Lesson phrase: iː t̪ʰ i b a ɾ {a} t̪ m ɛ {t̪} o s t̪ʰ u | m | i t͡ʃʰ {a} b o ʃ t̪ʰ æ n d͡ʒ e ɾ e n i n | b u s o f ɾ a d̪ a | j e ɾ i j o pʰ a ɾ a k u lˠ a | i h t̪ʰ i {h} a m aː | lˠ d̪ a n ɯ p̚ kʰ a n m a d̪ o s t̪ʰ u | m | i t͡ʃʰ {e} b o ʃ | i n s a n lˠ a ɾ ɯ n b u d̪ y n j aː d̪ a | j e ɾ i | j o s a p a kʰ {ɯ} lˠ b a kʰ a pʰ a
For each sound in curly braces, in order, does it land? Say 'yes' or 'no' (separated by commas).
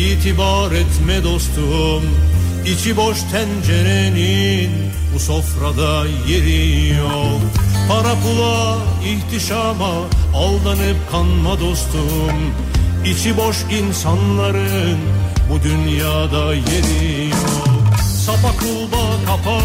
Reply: no, no, no, no, no, no